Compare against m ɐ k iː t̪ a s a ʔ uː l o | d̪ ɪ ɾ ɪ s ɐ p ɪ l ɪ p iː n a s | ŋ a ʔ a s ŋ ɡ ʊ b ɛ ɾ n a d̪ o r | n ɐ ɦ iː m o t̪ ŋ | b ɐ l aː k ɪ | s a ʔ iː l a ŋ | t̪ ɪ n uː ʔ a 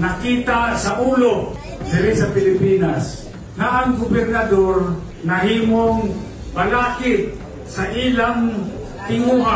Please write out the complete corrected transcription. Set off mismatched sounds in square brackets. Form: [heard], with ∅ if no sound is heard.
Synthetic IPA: [n] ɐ k iː t̪ a s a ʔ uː l o | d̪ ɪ ɾ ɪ s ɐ p ɪ l ɪ p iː n a s | ŋ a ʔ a [∅] ŋ ɡ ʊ b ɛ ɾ n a d̪ o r | n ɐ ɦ iː m o [∅] ŋ | b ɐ l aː k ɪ | s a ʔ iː l a ŋ | t̪ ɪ [ŋ] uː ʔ a